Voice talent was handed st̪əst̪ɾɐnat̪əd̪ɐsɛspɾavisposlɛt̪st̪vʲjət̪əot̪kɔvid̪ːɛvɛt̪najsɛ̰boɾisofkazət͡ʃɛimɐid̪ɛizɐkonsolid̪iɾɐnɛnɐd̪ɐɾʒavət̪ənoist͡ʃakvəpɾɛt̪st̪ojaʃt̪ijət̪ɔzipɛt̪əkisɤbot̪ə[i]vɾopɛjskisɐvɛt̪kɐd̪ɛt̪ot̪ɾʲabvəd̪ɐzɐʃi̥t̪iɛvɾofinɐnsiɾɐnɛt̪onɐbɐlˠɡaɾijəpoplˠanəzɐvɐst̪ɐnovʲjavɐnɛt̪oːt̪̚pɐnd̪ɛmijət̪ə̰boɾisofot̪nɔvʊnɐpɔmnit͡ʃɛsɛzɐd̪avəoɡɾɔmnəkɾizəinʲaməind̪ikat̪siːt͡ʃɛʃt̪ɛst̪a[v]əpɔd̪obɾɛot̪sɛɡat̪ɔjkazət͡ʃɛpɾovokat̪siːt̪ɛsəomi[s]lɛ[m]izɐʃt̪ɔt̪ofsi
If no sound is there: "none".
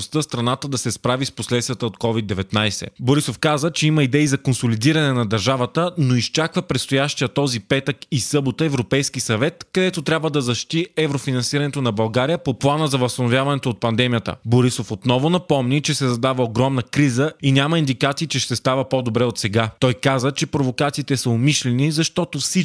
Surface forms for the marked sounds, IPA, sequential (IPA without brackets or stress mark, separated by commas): ɛ, v, ʃ, n